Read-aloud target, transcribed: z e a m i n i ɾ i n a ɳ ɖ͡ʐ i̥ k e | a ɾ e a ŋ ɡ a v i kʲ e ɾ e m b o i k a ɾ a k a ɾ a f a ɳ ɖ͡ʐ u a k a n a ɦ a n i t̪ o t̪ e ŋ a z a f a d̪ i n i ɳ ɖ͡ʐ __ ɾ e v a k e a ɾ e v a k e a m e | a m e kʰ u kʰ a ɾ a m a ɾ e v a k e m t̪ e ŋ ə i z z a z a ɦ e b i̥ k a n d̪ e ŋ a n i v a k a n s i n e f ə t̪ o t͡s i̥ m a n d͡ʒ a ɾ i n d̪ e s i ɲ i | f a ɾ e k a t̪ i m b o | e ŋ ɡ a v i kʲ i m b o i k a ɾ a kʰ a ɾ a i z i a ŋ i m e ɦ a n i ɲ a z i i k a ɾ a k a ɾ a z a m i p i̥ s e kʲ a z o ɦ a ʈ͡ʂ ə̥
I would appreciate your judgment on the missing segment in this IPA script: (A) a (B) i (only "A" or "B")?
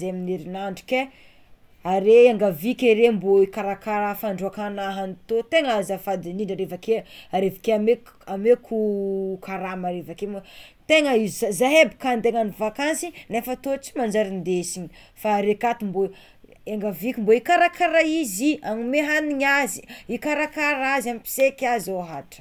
A